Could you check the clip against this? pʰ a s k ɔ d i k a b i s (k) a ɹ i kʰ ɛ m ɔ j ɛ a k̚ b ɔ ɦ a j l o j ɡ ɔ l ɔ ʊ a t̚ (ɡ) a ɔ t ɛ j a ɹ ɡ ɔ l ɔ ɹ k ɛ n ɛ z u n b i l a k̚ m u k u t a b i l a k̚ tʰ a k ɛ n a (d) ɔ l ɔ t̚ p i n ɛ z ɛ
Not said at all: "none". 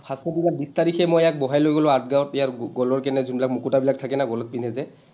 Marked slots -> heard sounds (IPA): t, ɡ, ɡ

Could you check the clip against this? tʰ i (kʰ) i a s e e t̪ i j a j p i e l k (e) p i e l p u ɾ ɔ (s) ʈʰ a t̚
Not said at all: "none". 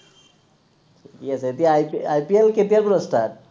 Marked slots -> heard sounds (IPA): k, e, s

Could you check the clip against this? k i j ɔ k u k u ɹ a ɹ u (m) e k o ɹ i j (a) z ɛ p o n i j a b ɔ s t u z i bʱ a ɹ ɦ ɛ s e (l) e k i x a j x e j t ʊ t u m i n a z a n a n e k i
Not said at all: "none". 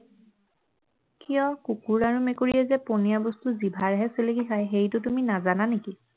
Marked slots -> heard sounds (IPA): m, ɛ, l

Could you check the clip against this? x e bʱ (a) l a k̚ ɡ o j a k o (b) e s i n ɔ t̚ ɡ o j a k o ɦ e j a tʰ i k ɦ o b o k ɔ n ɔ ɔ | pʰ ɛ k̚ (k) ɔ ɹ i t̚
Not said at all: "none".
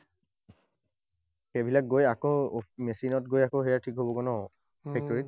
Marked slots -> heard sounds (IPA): i, m, t

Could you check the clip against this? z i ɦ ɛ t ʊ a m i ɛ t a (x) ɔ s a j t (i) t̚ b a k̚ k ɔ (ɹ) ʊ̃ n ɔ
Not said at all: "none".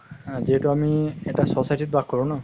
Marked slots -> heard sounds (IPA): s, i, ɹ

